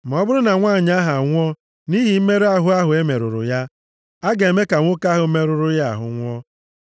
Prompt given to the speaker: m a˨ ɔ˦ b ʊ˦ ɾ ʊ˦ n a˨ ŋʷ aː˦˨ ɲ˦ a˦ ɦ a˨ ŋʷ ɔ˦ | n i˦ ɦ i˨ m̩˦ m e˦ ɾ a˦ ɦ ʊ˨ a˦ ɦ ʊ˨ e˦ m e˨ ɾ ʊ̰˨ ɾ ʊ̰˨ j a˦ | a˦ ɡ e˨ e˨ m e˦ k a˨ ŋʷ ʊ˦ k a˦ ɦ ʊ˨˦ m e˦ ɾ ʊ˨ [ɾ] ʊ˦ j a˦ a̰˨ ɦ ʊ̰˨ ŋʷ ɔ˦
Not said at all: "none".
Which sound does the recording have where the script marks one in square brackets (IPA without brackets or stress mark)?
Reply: ɾ